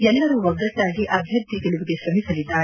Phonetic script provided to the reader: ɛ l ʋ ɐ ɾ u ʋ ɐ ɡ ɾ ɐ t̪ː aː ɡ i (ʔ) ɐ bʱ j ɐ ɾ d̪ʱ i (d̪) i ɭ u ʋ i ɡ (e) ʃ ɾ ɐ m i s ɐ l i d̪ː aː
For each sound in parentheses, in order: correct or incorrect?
correct, incorrect: t̪, correct

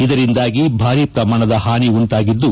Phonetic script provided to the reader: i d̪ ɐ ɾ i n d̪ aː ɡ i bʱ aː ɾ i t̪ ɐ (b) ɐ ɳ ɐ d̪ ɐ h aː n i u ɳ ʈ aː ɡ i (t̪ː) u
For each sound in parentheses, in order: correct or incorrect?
incorrect: m, incorrect: d̪ː

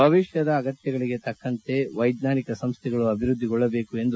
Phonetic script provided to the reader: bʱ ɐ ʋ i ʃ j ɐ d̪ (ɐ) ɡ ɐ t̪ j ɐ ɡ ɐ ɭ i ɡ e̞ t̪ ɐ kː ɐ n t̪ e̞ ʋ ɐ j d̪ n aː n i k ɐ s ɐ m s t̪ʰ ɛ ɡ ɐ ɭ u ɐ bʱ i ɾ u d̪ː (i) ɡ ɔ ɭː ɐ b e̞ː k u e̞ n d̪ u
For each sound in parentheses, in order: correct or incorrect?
incorrect: ɐː, correct

